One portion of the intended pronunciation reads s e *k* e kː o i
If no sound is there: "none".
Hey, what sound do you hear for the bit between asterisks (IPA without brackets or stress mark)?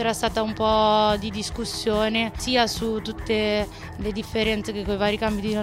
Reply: k